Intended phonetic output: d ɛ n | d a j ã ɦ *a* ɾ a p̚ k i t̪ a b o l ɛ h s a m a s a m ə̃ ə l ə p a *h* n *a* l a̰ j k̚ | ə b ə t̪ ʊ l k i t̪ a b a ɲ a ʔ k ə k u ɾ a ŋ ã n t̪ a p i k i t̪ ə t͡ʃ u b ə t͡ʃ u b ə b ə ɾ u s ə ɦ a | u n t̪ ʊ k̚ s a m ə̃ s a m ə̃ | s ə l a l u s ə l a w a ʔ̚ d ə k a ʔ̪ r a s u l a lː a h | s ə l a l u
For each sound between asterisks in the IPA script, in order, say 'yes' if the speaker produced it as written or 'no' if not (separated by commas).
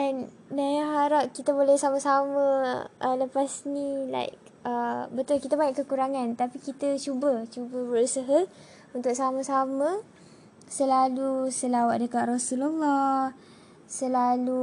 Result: yes, no, no